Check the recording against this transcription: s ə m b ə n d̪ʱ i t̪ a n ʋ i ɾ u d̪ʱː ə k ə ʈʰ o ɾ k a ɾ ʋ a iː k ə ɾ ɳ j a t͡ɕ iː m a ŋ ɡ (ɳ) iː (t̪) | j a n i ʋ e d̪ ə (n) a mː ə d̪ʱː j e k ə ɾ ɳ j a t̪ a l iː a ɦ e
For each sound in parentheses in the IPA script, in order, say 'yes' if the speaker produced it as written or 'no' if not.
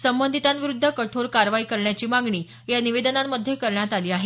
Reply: yes, no, yes

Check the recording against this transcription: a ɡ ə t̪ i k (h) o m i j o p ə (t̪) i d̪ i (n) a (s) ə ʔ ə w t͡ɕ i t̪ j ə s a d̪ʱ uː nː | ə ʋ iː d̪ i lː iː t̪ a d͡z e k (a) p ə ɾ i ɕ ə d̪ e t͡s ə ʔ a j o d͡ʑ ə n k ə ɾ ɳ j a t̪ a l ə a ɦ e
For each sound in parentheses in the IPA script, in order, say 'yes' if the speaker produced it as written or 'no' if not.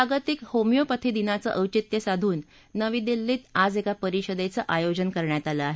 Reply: yes, no, yes, no, yes

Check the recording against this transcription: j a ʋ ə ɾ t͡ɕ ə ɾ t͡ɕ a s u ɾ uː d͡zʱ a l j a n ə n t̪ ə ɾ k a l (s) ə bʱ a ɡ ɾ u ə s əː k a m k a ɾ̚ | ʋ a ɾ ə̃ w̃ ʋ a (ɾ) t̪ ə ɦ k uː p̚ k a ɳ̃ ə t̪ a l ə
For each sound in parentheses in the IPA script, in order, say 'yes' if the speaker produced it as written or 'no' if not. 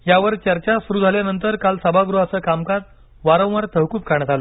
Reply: yes, yes

